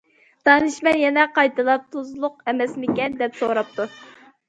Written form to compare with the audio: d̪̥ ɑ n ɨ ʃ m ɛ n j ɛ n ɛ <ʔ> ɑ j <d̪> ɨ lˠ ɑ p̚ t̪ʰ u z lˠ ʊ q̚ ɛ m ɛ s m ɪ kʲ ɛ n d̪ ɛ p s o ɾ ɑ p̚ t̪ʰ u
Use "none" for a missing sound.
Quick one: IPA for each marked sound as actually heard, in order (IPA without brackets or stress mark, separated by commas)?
q, t̪